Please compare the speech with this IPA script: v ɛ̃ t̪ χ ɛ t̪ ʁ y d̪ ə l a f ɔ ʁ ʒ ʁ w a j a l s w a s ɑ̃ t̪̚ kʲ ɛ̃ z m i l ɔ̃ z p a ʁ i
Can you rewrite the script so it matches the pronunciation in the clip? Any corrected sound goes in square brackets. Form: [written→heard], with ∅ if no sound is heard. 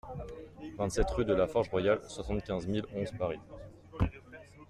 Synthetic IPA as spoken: v ɛ̃ t̪ [χ→s] ɛ t̪ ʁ y d̪ ə l a f ɔ ʁ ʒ ʁ w a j a l s w a s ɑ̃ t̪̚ kʲ ɛ̃ z m i l ɔ̃ z p a ʁ i